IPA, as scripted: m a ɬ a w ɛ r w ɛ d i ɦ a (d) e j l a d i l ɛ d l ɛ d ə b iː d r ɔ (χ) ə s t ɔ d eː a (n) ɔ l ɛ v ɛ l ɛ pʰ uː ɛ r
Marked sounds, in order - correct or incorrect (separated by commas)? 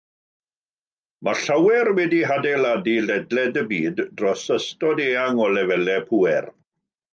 correct, incorrect, incorrect